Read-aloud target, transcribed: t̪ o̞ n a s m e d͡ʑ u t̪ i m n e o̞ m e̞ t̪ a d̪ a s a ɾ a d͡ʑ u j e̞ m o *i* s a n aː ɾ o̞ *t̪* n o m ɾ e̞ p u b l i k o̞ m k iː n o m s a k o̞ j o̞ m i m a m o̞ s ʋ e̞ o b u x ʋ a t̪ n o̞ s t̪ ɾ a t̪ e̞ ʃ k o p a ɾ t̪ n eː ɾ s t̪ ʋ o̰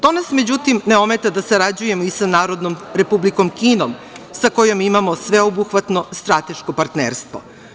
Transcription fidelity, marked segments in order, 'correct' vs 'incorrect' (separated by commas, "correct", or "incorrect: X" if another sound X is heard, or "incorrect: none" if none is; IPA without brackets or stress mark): correct, incorrect: d̪